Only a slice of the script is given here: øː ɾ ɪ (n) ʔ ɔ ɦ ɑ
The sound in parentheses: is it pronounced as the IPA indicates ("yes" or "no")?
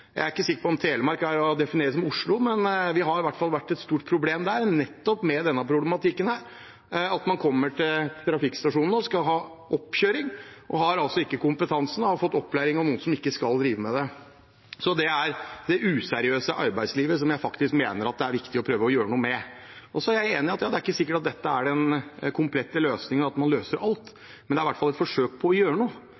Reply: no